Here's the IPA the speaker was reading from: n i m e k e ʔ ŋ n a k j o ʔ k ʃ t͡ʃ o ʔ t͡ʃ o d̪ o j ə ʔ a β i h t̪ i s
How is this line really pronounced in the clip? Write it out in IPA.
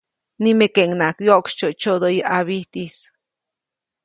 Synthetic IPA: n i m e k e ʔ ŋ n a k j o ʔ k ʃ t͡ʃ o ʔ t͡ʃ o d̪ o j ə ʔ a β i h t̪ i s